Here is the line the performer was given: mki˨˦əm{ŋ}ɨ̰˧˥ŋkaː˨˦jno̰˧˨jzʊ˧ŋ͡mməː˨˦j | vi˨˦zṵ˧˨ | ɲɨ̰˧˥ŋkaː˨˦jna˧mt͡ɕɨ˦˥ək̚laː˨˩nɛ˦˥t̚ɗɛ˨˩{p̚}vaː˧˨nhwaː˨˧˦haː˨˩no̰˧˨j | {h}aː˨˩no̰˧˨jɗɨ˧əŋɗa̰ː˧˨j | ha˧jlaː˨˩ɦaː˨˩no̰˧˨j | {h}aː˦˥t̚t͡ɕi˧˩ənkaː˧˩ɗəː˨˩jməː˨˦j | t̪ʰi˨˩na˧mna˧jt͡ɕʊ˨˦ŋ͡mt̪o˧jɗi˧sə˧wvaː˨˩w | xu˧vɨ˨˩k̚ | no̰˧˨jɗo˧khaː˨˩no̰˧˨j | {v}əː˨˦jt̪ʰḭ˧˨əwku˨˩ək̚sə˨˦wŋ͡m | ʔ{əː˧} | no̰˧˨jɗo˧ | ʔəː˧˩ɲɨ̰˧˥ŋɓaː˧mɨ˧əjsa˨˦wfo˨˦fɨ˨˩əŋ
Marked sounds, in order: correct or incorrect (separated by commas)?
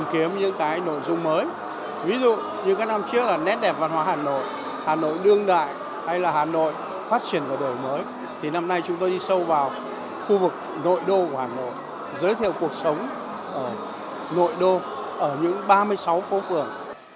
incorrect, correct, correct, incorrect, incorrect, incorrect